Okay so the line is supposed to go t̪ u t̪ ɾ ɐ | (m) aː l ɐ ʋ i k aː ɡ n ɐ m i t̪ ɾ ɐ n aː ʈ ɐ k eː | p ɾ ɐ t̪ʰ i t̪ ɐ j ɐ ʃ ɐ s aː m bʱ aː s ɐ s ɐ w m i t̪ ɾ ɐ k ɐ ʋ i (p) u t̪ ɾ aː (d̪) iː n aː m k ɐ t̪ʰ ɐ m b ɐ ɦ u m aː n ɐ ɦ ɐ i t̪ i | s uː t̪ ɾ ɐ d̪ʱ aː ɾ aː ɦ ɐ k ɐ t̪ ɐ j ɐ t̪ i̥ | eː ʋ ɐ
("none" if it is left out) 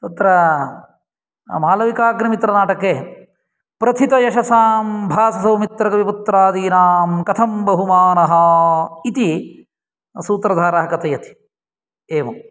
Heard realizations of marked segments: m, p, d̪

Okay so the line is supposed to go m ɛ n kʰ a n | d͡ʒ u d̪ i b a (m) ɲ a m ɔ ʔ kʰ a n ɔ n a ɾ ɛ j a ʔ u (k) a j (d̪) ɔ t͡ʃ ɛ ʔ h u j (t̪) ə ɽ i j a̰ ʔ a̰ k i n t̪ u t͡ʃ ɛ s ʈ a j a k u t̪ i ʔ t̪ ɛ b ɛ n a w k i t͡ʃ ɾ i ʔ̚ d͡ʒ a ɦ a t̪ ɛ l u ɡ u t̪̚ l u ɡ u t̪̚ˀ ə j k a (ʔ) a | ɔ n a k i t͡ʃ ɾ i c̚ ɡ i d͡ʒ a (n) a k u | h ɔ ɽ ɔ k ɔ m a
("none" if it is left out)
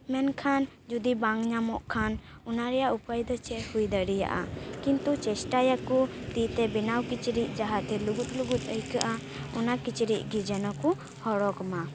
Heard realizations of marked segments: ŋ, p, d̪, d̪, ʔ, n

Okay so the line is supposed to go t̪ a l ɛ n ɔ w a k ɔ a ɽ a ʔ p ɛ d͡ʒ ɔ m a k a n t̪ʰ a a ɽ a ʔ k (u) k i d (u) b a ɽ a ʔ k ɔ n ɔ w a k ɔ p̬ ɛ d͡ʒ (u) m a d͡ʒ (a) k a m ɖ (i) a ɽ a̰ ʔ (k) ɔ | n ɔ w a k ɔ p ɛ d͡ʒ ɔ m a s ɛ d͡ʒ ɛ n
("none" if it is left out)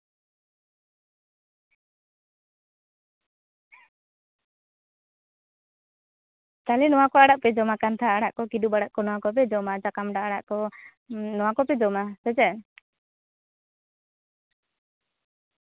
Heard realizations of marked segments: ɔ, u, ɔ, a, a, k

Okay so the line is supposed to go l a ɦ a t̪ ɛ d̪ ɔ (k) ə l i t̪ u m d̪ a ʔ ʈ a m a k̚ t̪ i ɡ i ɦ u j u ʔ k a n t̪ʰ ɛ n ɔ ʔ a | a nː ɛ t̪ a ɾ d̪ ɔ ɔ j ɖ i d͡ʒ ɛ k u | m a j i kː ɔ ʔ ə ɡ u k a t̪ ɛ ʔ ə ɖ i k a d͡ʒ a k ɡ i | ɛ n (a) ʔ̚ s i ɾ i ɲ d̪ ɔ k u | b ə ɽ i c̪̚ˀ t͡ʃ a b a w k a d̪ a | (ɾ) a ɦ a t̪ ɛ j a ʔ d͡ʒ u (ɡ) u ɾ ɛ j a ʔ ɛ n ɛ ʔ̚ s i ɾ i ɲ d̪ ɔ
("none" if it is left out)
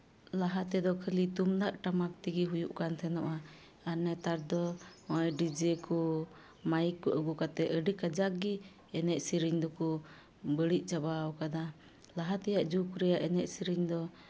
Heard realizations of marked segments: kʰ, ɛ, l, k

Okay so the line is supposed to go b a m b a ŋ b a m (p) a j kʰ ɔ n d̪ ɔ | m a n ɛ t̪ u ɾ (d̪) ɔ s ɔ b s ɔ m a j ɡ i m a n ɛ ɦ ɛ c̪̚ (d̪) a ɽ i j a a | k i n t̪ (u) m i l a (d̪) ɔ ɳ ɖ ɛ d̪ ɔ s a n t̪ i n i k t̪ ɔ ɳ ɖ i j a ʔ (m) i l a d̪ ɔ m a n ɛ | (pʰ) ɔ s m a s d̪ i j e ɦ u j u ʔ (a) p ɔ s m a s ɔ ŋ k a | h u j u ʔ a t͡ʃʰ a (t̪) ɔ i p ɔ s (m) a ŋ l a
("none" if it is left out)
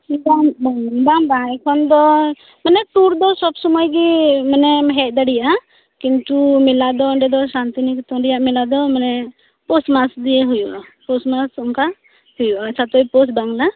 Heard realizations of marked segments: b, d̪, d̪, u, d̪, m, p, a, t̪, b

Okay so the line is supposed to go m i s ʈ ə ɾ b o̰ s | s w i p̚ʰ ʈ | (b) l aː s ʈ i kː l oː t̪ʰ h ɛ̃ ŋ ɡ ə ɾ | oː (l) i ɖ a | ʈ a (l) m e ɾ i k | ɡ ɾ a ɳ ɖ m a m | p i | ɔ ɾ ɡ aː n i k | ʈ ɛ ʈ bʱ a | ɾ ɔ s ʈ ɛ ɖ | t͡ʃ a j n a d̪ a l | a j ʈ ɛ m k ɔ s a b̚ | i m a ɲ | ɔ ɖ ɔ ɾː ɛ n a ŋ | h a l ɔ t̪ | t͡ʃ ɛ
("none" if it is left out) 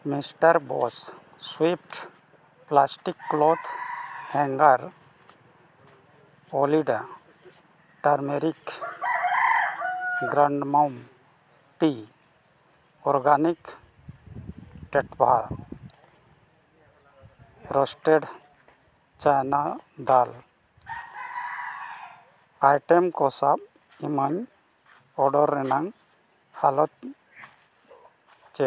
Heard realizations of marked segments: p, l, ɾ

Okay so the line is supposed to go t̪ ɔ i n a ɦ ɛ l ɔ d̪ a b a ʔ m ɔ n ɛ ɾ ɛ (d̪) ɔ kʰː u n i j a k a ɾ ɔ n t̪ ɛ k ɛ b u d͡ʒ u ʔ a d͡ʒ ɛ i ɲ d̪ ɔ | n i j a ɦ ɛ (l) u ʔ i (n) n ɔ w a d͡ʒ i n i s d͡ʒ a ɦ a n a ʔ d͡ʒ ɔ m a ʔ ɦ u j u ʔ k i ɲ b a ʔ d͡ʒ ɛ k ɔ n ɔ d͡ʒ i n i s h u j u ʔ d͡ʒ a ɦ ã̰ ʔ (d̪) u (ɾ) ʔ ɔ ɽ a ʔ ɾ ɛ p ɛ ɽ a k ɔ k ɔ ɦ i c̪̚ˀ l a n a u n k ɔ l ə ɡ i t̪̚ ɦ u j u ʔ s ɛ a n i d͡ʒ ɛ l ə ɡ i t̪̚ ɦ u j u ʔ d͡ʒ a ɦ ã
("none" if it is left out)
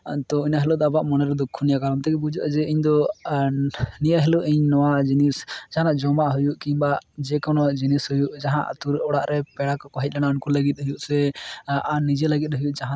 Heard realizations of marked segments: d̪, l, ɲ, t̪, ɾ

